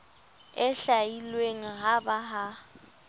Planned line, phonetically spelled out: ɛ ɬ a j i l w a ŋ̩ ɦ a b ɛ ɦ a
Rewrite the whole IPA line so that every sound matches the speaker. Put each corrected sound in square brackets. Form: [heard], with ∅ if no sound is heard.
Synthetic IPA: ɛ ɬ a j i l w [e] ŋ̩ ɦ a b [a] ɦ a